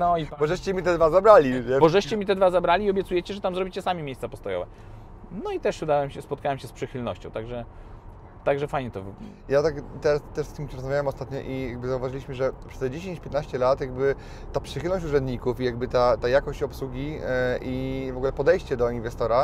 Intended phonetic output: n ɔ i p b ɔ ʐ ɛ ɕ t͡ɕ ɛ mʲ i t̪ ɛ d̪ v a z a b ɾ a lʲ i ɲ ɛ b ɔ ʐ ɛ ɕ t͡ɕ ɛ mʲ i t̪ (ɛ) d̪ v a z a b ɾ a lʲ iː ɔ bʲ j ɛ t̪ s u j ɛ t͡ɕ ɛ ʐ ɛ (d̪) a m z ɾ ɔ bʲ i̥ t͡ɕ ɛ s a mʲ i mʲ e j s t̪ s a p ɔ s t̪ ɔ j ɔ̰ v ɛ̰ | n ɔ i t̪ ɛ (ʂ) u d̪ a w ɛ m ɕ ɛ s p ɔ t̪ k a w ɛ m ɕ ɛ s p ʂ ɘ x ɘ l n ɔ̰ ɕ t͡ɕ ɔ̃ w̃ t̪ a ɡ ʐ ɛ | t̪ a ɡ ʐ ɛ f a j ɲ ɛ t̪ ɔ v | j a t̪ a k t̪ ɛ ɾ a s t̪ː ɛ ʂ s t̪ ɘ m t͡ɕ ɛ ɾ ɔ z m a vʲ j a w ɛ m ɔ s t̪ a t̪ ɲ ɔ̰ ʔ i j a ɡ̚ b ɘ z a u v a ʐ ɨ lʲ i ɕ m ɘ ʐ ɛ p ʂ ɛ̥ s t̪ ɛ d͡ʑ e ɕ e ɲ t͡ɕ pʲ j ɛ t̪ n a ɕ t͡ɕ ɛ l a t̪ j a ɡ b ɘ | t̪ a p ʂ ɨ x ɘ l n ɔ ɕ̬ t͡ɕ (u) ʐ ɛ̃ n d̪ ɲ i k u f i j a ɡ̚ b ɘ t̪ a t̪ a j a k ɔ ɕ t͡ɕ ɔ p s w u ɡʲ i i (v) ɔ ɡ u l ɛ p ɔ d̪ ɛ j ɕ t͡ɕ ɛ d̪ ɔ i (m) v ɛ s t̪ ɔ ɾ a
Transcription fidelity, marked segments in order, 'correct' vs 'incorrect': correct, incorrect, correct, correct, correct, incorrect

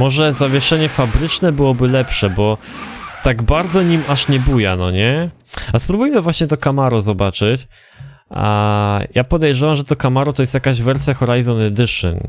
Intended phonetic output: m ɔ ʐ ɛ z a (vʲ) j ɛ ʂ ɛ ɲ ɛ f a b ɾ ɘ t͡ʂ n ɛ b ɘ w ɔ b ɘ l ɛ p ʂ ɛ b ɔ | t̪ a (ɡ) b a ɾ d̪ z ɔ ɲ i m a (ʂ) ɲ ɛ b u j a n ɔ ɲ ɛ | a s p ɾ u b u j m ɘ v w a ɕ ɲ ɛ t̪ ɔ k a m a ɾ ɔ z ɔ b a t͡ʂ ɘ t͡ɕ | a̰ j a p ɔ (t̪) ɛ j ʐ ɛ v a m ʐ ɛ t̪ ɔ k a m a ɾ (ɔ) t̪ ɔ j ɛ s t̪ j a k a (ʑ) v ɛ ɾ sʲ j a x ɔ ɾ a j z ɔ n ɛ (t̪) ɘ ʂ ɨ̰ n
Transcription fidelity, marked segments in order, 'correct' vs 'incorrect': correct, correct, correct, incorrect, correct, correct, incorrect

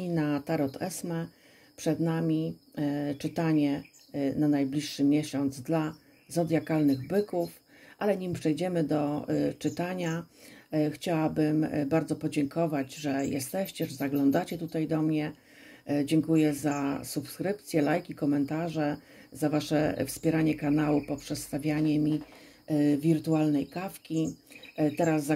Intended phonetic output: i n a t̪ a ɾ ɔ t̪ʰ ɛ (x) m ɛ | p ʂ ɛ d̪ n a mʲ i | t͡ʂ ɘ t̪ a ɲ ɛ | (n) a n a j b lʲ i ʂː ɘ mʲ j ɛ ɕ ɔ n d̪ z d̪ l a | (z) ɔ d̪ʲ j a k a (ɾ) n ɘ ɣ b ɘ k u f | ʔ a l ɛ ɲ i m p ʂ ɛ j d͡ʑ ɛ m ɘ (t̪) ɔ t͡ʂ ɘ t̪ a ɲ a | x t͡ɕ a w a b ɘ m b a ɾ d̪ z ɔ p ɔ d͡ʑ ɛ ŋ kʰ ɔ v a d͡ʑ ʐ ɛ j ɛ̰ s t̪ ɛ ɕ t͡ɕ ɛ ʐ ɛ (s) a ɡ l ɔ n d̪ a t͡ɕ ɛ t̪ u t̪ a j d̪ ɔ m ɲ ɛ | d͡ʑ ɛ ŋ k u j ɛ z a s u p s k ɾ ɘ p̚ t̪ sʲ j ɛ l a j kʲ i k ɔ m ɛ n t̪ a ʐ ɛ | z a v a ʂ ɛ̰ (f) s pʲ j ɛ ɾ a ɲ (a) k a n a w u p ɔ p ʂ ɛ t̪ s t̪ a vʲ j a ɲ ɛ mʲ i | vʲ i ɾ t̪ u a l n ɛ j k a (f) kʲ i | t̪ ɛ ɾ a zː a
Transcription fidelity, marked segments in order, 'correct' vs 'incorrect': incorrect, correct, correct, incorrect, incorrect, incorrect, correct, incorrect, correct

